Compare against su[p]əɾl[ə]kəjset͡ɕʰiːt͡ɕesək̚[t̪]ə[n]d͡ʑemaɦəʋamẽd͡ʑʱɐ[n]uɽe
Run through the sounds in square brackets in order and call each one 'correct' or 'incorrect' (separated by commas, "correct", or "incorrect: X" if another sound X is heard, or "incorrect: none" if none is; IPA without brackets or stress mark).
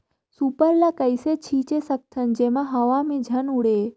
correct, incorrect: a, incorrect: t̪ʰ, correct, correct